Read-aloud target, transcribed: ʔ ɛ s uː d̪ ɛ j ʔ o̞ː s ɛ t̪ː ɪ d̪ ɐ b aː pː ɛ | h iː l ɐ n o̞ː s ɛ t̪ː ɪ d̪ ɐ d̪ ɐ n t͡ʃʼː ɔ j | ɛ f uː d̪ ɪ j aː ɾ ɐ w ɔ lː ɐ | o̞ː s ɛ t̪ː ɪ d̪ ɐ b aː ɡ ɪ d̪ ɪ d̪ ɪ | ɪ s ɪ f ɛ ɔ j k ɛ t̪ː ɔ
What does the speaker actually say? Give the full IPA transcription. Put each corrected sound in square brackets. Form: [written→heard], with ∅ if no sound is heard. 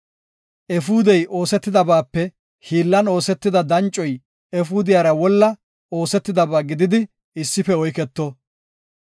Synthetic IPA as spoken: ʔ ɛ [s→f] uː d̪ ɛ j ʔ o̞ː s ɛ t̪ː ɪ d̪ ɐ b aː pː ɛ | h iː [l→lː] ɐ n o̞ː s ɛ t̪ː ɪ d̪ ɐ d̪ ɐ n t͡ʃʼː ɔ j | ɛ f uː d̪ ɪ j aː ɾ ɐ w ɔ lː ɐ | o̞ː s ɛ t̪ː ɪ d̪ ɐ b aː ɡ ɪ d̪ ɪ d̪ ɪ | ɪ [s→sː] ɪ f ɛ ɔ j k ɛ t̪ː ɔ

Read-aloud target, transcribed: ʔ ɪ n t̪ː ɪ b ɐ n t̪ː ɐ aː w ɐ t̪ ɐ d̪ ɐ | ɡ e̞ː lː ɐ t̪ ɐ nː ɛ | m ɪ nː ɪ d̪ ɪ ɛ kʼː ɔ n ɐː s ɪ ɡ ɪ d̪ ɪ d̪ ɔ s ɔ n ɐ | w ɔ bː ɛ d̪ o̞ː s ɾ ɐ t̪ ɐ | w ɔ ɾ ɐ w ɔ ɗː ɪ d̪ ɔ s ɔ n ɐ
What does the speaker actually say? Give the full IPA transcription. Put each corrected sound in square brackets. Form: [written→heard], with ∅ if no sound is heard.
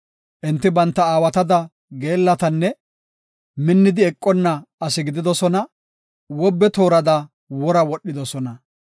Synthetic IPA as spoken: ʔ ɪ n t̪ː ɪ b ɐ n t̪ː ɐ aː w ɐ t̪ ɐ d̪ ɐ | ɡ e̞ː lː ɐ t̪ ɐ nː ɛ | m ɪ nː ɪ d̪ ɪ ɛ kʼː ɔ [n→nː] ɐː s ɪ ɡ ɪ d̪ ɪ d̪ ɔ s ɔ n ɐ | w ɔ bː ɛ [d̪→t̪] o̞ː [s→∅] ɾ ɐ [t̪→d̪] ɐ | w ɔ ɾ ɐ w ɔ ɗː ɪ d̪ ɔ s ɔ n ɐ

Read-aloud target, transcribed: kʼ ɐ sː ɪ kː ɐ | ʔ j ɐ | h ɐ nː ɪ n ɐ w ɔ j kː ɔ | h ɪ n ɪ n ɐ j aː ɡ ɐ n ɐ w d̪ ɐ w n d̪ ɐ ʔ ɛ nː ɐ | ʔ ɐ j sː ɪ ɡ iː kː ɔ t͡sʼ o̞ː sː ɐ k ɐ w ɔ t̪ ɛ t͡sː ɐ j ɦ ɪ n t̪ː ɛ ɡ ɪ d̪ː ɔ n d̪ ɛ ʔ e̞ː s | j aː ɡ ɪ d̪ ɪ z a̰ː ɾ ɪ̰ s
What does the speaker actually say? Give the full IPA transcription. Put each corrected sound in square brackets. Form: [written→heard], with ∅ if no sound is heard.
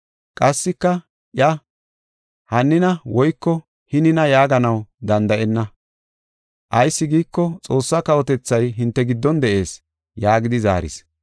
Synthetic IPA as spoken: kʼ ɐ sː ɪ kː ɐ | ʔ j ɐ | h ɐ nː ɪ n ɐ w ɔ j kː ɔ | h ɪ n ɪ n ɐ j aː ɡ ɐ n ɐ w d̪ ɐ [w→∅] n d̪ ɐ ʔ ɛ nː ɐ | ʔ ɐ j sː ɪ ɡ iː kː ɔ t͡sʼ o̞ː sː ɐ k ɐ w ɔ t̪ ɛ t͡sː ɐ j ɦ ɪ n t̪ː ɛ ɡ ɪ d̪ː ɔ n d̪ ɛ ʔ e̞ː s | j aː ɡ ɪ d̪ ɪ z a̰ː ɾ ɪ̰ s

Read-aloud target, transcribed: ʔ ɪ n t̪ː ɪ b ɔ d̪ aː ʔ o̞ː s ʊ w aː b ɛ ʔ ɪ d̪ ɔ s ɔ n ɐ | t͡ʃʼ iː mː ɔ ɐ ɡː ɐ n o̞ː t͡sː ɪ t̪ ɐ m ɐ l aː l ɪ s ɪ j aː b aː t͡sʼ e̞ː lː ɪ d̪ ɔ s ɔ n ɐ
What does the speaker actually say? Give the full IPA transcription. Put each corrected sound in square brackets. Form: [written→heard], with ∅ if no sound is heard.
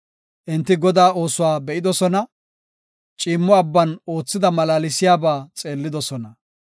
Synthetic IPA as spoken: ʔ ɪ n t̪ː ɪ [b→ɡ] ɔ d̪ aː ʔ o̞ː s ʊ w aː b ɛ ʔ ɪ d̪ ɔ s ɔ n ɐ | t͡ʃʼ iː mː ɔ ɐ [ɡː→bː] ɐ n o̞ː t͡sː ɪ [t̪→d̪] ɐ m ɐ l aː l ɪ s ɪ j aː b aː t͡sʼ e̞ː lː ɪ d̪ ɔ s ɔ n ɐ

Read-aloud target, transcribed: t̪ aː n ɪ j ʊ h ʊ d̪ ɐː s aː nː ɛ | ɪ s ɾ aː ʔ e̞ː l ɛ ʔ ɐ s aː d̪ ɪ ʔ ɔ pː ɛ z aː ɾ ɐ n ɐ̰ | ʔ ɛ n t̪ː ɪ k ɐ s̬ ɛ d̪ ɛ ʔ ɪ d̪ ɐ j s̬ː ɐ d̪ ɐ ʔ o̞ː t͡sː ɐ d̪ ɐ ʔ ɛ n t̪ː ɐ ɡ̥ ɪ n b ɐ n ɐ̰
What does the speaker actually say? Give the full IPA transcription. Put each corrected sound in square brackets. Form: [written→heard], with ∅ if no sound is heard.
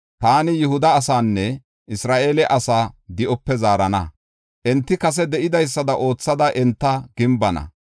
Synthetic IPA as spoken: t̪ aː n ɪ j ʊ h ʊ d̪ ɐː s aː nː ɛ | ɪ s ɾ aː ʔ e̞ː l ɛ ʔ ɐ s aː d̪ ɪ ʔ ɔ pː ɛ z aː ɾ ɐ n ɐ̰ | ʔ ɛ n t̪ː ɪ k ɐ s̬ ɛ d̪ ɛ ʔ ɪ d̪ ɐ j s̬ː ɐ d̪ ɐ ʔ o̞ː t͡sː ɐ d̪ ɐ ʔ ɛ n t̪ː ɐ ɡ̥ ɪ [n→m] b ɐ n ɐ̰

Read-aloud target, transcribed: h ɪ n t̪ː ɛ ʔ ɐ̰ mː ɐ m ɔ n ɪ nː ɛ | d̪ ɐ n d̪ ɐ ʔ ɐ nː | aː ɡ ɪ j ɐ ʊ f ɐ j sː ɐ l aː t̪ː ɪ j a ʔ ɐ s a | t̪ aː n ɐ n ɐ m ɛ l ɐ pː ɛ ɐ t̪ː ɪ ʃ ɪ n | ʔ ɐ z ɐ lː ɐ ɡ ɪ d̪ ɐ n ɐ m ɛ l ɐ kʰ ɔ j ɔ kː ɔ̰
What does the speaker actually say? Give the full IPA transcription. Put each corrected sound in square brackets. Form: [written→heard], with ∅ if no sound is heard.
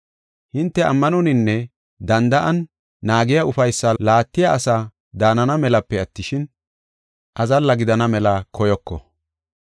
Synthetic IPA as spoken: h ɪ n t̪ː ɛ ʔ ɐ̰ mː ɐ [m→n] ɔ n ɪ nː ɛ | d̪ ɐ n d̪ ɐ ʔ ɐ nː | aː ɡ ɪ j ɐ ʊ f ɐ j sː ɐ l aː t̪ː ɪ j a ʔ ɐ s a | [t̪→d̪] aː n ɐ n ɐ m ɛ l ɐ pː ɛ ɐ t̪ː ɪ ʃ ɪ n | ʔ ɐ z ɐ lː ɐ ɡ ɪ d̪ ɐ n ɐ m ɛ l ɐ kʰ ɔ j ɔ kː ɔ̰

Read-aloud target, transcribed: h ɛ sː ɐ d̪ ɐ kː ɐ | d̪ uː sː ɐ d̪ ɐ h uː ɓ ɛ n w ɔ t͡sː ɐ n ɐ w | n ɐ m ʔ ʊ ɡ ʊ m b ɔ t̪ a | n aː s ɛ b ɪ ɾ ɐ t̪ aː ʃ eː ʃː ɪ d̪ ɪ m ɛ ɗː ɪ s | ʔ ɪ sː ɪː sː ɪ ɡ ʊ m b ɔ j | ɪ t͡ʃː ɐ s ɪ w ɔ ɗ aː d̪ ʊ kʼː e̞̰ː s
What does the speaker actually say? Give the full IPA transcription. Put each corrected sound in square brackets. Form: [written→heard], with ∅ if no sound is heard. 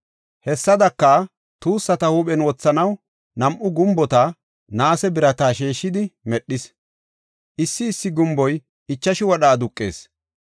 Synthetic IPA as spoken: h ɛ sː ɐ d̪ ɐ kː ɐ | [d̪→t̪] uː sː ɐ [d̪→t̪] ɐ h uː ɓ ɛ n w ɔ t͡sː ɐ n ɐ w | n ɐ m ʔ ʊ ɡ ʊ m b ɔ t̪ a | n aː s ɛ b ɪ ɾ ɐ t̪ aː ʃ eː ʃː ɪ d̪ ɪ m ɛ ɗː ɪ s | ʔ ɪ sː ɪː sː ɪ ɡ ʊ m b ɔ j | ɪ t͡ʃː ɐ [s→ʃ] ɪ w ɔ ɗ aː d̪ ʊ kʼː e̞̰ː s

